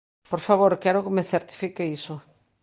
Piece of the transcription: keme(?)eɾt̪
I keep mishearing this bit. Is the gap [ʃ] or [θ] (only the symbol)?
θ